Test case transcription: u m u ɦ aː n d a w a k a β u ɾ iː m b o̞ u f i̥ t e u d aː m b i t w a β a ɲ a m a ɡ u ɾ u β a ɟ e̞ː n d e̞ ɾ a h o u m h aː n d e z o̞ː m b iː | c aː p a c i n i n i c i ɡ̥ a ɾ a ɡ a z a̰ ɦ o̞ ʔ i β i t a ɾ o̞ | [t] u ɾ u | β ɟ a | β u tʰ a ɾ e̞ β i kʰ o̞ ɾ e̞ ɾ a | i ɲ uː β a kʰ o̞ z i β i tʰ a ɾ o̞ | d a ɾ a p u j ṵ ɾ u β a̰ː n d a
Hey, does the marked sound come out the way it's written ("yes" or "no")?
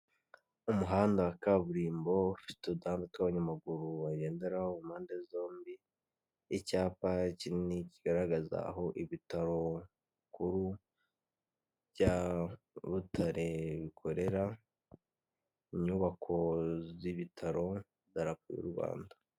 no